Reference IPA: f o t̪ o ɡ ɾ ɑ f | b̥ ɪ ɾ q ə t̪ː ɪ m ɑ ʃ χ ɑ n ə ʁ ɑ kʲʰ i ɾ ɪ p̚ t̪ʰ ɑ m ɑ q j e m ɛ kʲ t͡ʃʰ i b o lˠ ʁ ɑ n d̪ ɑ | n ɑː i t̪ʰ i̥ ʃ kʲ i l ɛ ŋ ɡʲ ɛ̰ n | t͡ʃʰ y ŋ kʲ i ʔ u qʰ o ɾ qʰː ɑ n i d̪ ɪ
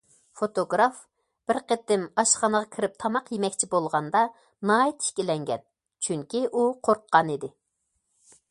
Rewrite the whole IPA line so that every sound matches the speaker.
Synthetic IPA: f o t̪ o ɡ ɾ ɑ f | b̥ ɪ ɾ q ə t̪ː ɪ m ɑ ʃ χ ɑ n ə ʁ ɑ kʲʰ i ɾ ɪ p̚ t̪ʰ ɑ m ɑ q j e m ɛ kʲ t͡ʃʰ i b o lˠ ʁ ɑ n d̪ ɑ | n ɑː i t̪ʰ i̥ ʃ kʲ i l ɛ ŋ ɡʲ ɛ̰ n | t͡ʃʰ y ŋ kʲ i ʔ u qʰ o ɾ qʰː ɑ n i d̪ ɪ